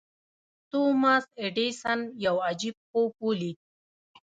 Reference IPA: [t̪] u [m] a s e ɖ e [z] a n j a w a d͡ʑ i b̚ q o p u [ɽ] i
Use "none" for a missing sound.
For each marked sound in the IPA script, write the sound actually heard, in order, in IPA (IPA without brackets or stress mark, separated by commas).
t̪, m, s, l